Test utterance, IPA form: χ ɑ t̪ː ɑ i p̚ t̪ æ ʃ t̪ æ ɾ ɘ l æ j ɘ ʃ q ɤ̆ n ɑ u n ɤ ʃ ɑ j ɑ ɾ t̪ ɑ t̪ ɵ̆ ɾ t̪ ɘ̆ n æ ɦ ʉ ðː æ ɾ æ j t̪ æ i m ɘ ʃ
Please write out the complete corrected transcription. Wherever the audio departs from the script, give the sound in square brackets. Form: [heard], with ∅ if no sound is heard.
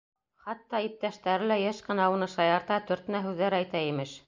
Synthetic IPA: χ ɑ t̪ː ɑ i p̚ t̪ æ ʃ t̪ æ ɾ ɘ l æ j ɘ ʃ q ɤ̆ n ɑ u n ɤ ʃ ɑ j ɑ ɾ t̪ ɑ t̪ ɵ̆ ɾ t̪ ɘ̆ n æ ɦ ʉ ðː æ ɾ æ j t̪ æ i m ɘ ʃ